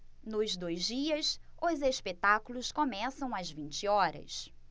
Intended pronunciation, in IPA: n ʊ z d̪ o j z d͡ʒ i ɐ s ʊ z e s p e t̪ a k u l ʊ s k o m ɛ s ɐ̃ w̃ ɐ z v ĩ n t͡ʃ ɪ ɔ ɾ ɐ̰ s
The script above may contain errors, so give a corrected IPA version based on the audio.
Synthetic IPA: n ʊ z d̪ o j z d͡ʒ i ɐ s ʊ z e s p e t̪ a k u l ʊ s k o m ɛ s ɐ̃ w̃ ɐ z v ĩ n t͡ʃ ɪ ɔ ɾ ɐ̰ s